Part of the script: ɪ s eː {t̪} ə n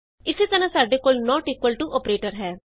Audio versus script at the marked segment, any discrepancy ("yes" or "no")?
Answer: no